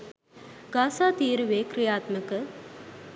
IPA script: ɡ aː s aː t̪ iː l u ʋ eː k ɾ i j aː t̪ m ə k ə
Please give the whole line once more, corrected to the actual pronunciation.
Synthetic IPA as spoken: ɡ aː s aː t̪ iː ɾ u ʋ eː k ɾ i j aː t̪ m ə k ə